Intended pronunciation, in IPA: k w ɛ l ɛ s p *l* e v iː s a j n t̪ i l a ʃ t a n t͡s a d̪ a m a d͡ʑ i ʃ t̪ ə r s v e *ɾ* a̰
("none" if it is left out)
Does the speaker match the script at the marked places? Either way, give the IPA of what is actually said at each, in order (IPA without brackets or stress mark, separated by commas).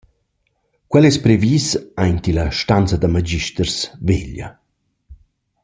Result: ɾ, ʎ